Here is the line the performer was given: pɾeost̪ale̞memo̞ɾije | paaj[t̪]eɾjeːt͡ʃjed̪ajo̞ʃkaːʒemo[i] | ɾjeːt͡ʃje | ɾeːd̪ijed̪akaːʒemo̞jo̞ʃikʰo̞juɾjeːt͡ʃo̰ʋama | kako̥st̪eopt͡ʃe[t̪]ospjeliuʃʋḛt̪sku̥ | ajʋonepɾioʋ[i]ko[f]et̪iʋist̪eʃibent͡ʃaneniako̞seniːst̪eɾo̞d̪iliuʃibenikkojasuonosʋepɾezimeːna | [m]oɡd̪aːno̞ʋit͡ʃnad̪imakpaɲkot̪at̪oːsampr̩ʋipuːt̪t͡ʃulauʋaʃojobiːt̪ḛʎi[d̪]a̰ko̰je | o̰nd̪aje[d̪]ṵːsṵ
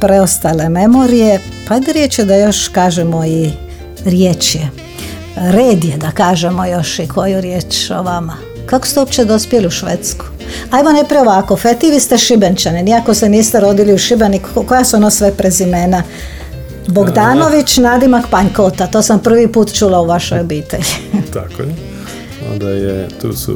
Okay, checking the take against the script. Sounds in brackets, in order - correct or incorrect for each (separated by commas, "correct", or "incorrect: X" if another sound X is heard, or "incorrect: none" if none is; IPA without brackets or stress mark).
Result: incorrect: d̪, correct, incorrect: d̪, incorrect: a, correct, incorrect: b, incorrect: t̪, incorrect: t̪